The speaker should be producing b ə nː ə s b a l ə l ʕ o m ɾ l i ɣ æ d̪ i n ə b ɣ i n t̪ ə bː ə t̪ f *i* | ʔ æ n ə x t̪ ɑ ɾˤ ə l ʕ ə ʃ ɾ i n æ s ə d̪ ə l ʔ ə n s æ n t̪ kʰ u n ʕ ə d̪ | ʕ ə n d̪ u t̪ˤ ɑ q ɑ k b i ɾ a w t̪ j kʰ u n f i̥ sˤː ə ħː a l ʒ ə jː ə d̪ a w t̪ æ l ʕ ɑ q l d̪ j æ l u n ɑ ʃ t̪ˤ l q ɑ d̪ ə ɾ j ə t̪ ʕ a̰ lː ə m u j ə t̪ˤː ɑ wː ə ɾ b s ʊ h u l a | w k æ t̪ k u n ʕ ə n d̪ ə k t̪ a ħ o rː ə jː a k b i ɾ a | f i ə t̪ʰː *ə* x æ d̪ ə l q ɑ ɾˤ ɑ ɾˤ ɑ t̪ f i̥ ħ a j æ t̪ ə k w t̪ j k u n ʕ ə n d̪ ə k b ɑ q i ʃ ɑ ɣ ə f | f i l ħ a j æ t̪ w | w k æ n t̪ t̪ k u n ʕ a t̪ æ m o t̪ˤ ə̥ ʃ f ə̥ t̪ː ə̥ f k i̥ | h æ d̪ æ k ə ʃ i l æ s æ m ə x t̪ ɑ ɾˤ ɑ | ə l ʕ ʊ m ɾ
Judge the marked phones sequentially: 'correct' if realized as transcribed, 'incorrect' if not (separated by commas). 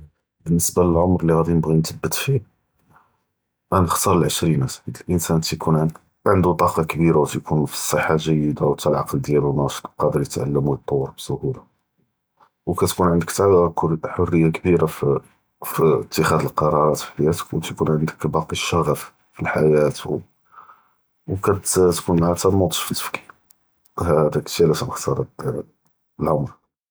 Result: correct, correct